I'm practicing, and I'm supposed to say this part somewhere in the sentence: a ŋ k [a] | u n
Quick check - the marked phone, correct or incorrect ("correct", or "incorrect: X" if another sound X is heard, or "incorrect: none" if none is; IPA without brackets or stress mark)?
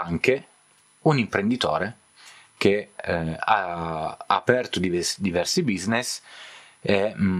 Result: incorrect: e